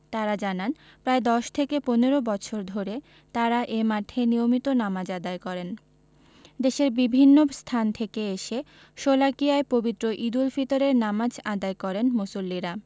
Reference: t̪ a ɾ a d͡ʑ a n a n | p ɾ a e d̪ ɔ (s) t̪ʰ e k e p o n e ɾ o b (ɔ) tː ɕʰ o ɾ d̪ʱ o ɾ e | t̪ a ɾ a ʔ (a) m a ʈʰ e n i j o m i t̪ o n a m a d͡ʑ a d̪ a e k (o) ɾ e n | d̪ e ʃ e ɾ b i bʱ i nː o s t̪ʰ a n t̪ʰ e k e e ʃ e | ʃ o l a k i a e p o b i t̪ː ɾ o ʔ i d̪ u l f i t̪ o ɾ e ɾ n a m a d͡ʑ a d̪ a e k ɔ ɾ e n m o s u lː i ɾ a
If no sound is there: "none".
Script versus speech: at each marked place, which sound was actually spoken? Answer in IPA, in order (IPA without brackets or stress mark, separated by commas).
ʃ, ɔ, e, ɔ